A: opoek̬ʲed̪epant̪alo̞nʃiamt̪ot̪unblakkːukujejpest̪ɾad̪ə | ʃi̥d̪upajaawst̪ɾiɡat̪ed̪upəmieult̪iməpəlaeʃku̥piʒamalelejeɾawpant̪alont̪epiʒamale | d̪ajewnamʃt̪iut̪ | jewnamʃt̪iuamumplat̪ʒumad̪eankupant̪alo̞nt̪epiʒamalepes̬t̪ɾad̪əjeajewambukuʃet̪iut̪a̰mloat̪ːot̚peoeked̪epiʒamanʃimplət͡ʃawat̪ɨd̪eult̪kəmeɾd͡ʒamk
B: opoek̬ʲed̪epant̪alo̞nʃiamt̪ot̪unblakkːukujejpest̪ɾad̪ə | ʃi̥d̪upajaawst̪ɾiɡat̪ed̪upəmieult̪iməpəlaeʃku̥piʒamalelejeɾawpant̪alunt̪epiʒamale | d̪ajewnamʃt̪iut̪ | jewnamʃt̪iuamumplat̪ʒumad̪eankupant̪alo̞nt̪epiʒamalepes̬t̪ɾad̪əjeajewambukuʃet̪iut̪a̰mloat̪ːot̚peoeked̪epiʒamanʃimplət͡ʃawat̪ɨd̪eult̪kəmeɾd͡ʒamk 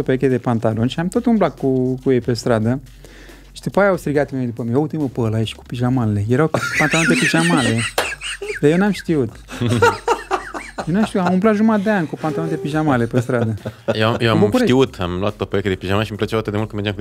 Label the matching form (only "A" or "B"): A